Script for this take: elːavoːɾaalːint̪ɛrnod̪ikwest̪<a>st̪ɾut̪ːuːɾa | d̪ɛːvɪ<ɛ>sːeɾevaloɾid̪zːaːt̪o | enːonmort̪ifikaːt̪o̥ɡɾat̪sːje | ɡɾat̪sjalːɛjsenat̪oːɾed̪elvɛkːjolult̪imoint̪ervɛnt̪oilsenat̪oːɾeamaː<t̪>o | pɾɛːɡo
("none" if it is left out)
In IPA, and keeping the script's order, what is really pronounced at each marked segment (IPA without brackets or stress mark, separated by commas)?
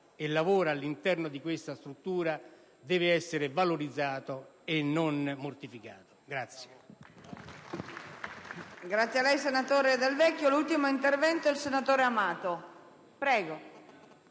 a, ɛ, t̪